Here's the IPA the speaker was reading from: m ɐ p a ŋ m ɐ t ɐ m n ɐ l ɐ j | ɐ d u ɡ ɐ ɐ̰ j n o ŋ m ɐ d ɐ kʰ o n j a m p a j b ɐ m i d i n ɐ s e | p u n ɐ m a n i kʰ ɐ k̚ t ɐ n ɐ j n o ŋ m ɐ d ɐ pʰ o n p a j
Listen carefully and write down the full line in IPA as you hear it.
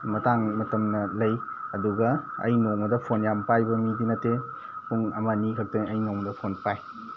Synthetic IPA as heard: m ɐ t a ŋ m ɐ t ɐ m n ɐ l ɐ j | ɐ d u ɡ ɐ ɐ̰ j n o ŋ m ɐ d ɐ pʰ o n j a m p a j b ɐ m i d i n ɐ t e | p u ŋ ɐ m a n i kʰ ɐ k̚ t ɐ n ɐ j n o ŋ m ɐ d ɐ pʰ o n p a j